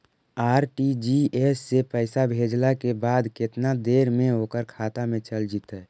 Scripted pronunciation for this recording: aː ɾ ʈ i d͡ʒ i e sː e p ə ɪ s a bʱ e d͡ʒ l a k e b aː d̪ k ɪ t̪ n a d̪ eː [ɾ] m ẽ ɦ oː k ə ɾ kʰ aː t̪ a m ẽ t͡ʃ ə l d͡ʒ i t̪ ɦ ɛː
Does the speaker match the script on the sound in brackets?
yes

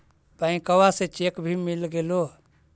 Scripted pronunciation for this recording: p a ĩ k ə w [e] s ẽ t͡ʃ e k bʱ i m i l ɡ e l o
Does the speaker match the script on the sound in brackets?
no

